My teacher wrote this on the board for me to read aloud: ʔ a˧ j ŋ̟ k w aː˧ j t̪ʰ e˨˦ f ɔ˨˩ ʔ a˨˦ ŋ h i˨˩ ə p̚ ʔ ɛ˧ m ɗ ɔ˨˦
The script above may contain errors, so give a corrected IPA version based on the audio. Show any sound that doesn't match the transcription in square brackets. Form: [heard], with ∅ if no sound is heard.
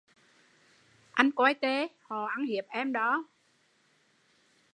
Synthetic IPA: ʔ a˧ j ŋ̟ k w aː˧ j [t̪] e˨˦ [h] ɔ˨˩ ʔ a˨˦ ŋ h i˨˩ ə p̚ ʔ ɛ˧ m ɗ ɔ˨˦